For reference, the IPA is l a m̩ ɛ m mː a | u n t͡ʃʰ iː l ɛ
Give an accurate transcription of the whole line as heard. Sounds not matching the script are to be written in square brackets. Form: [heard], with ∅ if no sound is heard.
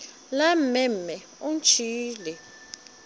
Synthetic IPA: l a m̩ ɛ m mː [ɛ] | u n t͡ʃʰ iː l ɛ